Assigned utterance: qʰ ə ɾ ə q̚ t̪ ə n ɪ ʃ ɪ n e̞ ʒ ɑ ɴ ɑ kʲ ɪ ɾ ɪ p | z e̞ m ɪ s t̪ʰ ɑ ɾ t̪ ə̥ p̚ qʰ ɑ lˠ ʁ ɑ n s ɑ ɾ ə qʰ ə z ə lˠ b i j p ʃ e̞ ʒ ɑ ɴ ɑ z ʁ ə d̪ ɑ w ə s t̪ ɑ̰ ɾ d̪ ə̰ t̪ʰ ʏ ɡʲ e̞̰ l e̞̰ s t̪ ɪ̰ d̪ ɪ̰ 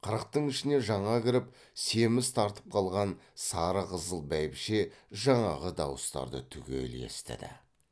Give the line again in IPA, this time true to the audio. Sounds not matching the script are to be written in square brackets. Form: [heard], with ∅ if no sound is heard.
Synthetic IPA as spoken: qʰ ə ɾ ə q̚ t̪ ə [ɴ] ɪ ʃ ɪ n e̞ ʒ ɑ ɴ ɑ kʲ ɪ ɾ ɪ p | [s] e̞ m ɪ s t̪ʰ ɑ ɾ t̪ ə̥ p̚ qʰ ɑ lˠ ʁ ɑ n s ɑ ɾ ə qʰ ə z ə lˠ b [æ] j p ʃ e̞ ʒ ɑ ɴ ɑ [∅] ʁ ə d̪ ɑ w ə s t̪ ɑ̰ ɾ d̪ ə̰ t̪ʰ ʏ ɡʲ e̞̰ l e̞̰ s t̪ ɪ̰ d̪ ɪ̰